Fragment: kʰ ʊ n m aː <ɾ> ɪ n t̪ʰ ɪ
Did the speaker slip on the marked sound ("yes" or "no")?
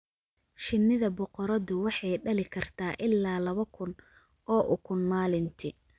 yes